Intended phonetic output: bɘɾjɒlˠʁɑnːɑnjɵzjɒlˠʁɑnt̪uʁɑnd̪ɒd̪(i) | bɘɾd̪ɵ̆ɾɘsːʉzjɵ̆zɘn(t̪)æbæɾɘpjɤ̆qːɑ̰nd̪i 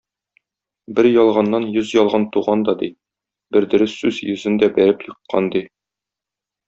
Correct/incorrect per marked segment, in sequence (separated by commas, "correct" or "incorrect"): correct, incorrect